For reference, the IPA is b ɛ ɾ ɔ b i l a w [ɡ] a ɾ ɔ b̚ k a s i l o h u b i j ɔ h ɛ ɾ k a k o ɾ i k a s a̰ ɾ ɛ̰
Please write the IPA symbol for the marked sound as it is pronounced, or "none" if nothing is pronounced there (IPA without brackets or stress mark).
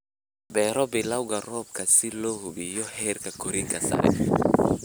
ɡ